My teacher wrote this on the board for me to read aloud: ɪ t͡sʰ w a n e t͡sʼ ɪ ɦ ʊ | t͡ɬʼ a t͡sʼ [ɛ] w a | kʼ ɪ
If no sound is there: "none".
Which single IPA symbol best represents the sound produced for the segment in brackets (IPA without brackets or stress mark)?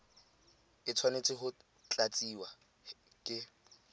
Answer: i